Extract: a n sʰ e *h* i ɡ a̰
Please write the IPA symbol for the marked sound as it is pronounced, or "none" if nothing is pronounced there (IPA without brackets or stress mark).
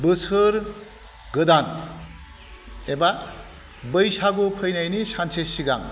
s